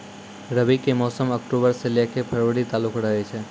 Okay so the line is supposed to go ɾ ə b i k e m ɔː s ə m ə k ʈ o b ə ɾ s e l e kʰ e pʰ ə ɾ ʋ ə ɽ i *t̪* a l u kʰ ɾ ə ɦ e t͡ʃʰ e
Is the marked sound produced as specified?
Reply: yes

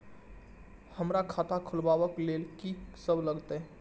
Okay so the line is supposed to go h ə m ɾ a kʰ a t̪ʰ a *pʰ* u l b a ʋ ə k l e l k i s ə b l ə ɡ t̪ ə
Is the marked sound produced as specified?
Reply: no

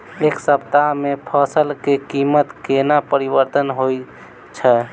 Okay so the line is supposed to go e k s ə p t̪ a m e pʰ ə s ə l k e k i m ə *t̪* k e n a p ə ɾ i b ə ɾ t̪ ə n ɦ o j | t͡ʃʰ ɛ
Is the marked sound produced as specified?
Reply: yes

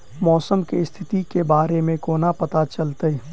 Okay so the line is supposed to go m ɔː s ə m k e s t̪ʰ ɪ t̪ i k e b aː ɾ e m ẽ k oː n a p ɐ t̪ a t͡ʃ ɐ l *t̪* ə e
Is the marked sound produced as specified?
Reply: yes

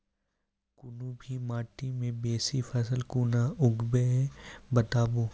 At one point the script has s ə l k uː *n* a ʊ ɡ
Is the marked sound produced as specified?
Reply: yes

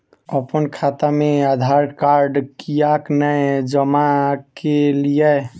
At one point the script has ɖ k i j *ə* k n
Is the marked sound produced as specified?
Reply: no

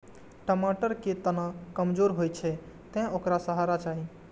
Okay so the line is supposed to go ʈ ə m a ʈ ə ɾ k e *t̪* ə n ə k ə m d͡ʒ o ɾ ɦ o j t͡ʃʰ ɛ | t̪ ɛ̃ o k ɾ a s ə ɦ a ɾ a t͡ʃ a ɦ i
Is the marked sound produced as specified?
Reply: yes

